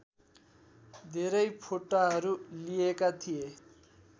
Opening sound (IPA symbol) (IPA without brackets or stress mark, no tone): d̪ʱ